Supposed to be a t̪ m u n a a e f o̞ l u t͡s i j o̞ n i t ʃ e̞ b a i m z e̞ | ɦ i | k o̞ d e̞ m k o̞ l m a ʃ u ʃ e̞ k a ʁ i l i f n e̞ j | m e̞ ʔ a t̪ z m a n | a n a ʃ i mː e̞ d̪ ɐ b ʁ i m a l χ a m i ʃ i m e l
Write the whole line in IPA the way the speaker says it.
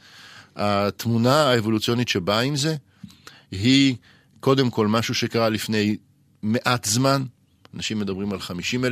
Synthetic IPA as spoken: a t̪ m u n a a e v o̞ l u t͡s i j o̞ n i t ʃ e̞ b a i m z e̞ | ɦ i | k o̞ d e̞ m k o̞ l m a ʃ u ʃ e̞ k a ʁ a l i f n e̞ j | m e̞ ʔ a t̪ z m a n | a n a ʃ i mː e̞ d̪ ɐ b ʁ i m a l χ a m i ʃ i m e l